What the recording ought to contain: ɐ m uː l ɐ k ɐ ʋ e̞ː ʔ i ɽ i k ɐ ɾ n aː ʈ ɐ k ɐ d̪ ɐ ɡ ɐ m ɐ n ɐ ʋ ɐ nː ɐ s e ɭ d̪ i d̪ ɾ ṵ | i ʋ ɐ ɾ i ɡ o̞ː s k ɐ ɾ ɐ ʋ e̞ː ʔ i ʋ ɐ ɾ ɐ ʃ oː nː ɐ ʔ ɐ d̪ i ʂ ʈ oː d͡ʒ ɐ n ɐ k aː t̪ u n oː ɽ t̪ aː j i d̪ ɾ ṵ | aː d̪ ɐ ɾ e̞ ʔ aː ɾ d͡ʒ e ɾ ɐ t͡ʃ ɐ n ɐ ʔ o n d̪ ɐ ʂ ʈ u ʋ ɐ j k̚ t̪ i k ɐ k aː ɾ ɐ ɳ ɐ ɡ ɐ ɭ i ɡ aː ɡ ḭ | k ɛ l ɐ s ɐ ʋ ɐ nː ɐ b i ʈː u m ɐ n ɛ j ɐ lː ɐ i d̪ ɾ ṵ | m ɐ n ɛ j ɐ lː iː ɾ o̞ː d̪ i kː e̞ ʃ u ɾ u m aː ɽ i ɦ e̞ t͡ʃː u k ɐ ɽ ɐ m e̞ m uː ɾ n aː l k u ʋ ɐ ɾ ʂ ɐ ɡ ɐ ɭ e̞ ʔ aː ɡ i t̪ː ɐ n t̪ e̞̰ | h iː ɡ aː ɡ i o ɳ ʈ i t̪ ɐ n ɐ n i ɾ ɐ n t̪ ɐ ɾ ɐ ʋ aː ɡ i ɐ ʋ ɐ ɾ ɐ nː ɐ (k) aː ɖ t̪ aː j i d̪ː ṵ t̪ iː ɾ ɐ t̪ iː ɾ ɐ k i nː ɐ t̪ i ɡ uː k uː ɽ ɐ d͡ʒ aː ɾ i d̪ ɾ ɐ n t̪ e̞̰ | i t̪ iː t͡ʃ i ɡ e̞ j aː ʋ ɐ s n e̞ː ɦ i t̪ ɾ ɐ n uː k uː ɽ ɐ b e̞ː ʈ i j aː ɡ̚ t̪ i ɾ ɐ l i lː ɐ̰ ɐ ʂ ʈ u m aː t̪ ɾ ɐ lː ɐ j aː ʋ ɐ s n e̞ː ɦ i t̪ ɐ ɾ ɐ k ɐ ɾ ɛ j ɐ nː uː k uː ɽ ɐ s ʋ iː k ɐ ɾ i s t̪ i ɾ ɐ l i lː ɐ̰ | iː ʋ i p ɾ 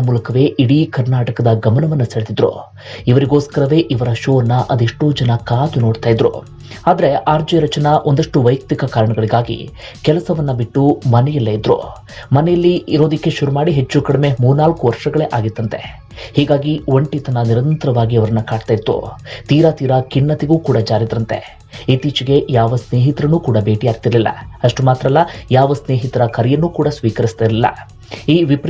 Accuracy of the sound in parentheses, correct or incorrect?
correct